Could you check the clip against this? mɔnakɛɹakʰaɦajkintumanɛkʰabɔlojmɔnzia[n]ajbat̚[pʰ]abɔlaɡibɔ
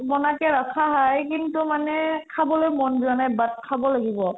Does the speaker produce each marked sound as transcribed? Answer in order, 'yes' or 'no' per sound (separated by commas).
yes, no